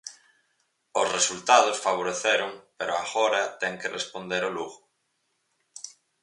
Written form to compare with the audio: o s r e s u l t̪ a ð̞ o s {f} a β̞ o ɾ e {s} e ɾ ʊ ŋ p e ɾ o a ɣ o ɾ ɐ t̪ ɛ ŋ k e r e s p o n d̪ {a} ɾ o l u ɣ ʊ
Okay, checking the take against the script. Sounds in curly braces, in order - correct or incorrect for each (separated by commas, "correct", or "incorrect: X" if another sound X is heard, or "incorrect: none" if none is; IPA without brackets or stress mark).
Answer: correct, incorrect: θ, incorrect: e